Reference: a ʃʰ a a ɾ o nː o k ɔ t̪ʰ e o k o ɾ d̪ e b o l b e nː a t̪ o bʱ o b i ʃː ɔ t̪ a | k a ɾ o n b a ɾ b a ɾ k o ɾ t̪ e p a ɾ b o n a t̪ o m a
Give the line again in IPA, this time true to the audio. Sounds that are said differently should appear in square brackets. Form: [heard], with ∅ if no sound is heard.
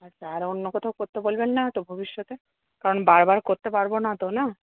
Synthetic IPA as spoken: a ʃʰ a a ɾ o nː o k ɔ t̪ʰ [a] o k o ɾ [t̪] e b o l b e nː a t̪ o bʱ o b i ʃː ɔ t̪ [e] | k a ɾ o n b a ɾ b a ɾ k o ɾ t̪ e p a ɾ b o n a t̪ o [n] a